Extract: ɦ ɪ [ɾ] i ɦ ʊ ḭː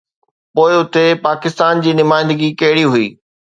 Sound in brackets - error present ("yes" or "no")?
yes